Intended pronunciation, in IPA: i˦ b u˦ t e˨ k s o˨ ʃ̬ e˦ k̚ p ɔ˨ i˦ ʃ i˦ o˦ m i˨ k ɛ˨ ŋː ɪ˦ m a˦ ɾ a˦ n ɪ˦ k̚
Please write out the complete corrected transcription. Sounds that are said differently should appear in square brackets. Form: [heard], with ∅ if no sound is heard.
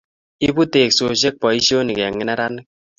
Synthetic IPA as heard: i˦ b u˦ t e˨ k s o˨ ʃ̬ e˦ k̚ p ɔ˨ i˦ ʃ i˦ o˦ [n] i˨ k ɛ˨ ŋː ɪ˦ [n] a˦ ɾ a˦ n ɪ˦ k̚